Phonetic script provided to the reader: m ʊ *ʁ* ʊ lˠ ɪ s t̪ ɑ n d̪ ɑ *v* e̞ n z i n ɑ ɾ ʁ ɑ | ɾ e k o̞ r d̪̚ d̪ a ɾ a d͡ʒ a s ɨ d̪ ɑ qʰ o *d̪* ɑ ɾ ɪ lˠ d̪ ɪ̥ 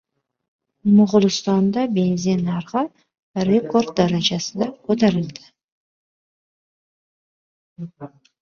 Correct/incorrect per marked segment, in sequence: correct, incorrect: b, incorrect: t̪

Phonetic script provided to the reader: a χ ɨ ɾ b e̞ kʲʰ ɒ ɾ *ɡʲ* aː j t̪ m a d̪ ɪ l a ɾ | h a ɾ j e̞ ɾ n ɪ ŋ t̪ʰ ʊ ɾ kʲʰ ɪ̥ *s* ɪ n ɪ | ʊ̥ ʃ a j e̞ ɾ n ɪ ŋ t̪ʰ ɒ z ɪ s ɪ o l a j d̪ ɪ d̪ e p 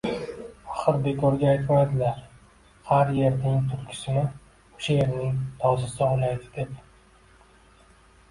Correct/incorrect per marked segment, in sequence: correct, correct

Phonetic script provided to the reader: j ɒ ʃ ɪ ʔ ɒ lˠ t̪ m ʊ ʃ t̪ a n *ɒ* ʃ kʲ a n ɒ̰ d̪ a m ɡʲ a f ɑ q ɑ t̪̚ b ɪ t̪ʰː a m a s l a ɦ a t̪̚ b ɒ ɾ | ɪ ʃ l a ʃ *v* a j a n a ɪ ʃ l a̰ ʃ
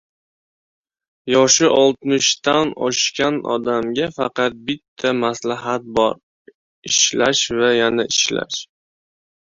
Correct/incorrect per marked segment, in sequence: correct, correct

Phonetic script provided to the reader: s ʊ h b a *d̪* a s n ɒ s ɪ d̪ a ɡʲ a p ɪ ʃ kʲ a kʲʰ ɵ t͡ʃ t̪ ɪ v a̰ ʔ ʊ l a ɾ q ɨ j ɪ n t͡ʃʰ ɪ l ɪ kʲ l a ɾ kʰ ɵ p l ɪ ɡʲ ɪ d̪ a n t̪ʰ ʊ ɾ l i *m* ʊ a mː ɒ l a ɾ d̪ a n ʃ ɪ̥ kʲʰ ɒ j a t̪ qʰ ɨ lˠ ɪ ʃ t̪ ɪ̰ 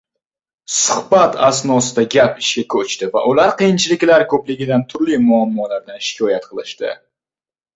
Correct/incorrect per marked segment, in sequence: incorrect: t̪, correct

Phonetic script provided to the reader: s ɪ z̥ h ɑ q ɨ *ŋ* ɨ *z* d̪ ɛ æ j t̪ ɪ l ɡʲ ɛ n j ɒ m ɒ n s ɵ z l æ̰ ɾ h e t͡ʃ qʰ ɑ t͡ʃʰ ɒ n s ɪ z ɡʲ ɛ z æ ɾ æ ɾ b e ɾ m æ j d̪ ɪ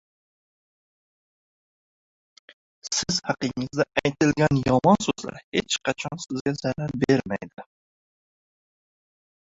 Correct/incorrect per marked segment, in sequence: correct, correct

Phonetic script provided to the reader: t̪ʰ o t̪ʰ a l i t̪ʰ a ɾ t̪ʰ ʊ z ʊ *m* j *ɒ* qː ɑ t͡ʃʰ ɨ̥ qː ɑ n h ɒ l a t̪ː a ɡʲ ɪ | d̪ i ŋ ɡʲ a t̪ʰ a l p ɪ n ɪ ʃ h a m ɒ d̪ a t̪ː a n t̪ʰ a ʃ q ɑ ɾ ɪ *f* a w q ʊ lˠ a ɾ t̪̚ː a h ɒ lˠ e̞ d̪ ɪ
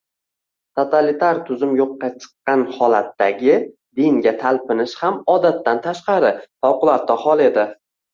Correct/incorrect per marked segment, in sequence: correct, incorrect: o, correct

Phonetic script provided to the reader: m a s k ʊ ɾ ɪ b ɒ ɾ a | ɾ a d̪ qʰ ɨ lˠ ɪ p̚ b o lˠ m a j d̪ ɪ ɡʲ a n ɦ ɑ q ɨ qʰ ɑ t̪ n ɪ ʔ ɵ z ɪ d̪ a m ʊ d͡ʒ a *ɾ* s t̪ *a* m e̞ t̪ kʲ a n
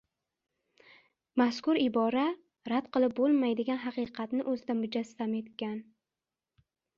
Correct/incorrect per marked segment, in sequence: incorrect: none, correct

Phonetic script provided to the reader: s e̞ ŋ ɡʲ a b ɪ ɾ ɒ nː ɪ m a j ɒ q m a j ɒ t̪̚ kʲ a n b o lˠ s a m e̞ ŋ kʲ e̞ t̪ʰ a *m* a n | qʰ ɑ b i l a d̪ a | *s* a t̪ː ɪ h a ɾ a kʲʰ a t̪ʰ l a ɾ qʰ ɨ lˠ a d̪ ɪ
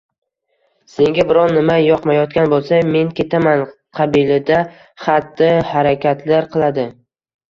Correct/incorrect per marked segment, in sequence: correct, incorrect: χ

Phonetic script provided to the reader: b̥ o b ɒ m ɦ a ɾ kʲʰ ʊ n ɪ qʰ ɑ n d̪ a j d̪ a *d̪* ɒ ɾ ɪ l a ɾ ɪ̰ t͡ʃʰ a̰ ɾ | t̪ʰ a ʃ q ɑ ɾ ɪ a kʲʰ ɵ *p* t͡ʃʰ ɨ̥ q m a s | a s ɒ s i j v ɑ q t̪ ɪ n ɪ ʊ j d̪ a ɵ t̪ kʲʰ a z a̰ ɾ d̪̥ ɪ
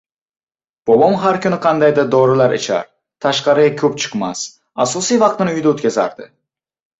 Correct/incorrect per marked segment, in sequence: correct, correct

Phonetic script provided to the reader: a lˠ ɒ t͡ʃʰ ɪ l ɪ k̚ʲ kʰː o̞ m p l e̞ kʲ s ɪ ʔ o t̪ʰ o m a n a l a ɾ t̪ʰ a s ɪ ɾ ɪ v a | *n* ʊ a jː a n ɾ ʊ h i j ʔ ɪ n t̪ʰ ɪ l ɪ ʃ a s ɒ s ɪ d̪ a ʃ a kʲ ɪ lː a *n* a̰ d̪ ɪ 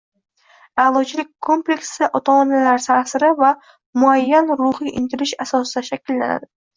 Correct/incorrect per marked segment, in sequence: incorrect: m, correct

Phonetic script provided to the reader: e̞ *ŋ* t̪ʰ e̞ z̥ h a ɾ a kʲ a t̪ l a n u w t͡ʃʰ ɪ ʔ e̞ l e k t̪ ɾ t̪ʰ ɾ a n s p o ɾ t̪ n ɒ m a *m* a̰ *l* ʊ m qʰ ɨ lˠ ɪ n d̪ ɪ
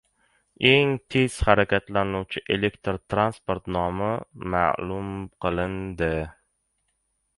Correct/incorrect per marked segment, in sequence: correct, correct, correct

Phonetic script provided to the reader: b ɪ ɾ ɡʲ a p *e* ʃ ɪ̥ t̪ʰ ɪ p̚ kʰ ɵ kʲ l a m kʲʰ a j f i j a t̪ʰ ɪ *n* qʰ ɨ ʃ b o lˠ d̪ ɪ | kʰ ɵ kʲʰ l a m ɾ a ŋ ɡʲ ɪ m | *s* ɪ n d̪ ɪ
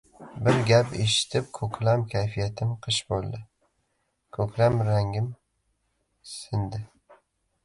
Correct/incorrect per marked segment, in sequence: correct, incorrect: m, correct

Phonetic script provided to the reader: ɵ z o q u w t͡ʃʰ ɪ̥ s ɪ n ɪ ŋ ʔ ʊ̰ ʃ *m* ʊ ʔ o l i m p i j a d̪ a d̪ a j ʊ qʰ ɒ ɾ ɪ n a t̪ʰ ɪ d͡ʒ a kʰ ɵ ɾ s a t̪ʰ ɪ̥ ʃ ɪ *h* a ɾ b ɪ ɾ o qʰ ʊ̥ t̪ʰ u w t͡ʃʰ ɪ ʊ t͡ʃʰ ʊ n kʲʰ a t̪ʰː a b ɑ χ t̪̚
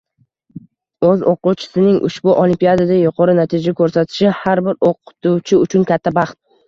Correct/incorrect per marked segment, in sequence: incorrect: b, correct

